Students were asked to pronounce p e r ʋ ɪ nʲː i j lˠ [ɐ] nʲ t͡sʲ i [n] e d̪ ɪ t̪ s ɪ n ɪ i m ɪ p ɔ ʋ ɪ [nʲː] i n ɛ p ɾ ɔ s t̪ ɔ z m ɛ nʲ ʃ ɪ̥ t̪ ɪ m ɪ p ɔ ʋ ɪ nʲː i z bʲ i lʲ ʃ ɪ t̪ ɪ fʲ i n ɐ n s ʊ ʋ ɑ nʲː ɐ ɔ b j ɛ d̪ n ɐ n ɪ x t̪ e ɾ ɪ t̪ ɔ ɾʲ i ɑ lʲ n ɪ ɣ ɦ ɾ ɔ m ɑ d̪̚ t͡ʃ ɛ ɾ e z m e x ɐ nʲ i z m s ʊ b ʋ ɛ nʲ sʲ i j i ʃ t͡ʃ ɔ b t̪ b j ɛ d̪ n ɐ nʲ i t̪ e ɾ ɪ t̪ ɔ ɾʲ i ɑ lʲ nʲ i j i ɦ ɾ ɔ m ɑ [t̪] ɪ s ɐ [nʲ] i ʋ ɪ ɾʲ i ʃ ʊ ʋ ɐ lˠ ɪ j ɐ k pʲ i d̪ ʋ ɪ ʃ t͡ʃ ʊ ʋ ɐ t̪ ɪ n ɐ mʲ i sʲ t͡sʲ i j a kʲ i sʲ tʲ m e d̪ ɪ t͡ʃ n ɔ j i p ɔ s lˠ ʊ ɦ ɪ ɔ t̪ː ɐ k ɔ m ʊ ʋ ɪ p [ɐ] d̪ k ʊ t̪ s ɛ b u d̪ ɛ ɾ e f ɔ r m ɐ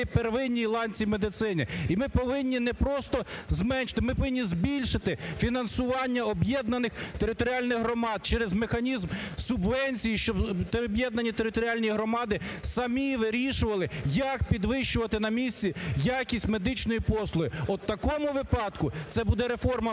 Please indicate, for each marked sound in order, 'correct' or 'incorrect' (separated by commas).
incorrect, incorrect, correct, incorrect, incorrect, incorrect